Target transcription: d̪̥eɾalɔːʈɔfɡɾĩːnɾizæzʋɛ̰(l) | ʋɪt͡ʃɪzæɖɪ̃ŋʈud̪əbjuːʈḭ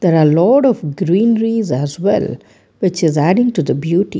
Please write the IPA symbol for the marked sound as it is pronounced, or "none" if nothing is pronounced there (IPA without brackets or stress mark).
l